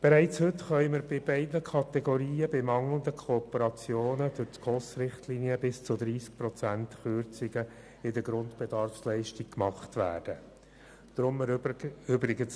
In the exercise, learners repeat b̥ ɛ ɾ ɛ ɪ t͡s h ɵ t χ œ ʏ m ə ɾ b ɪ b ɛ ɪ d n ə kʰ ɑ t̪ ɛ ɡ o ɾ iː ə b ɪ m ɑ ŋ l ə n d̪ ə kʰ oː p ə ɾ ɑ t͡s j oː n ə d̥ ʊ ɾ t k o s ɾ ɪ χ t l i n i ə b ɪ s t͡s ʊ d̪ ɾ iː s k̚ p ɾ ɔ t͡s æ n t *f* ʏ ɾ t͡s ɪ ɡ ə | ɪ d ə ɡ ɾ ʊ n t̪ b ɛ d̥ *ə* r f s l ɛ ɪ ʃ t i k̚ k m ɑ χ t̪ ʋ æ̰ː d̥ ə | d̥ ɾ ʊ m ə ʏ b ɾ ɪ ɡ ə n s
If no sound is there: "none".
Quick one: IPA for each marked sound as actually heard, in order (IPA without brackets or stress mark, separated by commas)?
χ, ɑ